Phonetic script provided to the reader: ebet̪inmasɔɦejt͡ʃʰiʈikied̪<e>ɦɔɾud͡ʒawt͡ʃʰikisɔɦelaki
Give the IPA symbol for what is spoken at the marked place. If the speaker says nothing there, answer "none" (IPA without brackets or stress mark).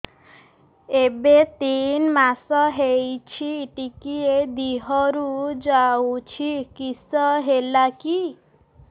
i